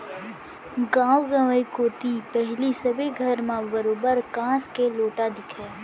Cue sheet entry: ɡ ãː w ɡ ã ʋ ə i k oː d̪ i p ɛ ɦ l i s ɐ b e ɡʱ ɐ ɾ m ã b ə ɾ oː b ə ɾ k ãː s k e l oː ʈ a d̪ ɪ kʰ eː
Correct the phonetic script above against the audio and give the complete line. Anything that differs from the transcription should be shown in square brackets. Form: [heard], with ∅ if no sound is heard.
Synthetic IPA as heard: ɡ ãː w ɡ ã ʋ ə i k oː [t̪] i p ɛ ɦ l i s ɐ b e ɡʱ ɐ ɾ m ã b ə ɾ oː b ə ɾ k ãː s k e l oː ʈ a d̪ ɪ kʰ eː